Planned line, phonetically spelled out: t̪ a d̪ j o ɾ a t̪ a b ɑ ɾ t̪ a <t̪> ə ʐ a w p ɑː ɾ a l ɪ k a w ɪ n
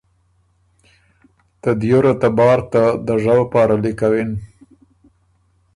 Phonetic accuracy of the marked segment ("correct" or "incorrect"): incorrect